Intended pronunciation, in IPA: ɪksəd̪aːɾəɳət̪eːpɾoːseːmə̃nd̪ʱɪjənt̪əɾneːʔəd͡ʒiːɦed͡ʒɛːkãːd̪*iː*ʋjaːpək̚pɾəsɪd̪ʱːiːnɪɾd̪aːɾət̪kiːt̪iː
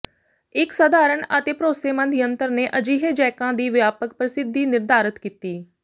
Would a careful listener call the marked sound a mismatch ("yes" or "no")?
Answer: no